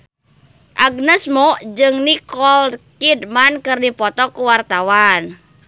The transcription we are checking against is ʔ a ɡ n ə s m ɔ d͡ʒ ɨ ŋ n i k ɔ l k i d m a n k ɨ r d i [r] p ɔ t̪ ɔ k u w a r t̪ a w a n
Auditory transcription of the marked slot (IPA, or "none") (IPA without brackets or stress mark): none